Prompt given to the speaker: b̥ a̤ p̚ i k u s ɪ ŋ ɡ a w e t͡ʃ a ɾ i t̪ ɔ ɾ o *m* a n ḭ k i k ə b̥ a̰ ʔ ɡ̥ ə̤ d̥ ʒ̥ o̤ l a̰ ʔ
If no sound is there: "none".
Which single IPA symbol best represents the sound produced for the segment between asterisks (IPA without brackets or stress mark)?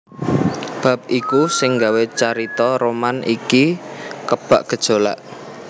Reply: m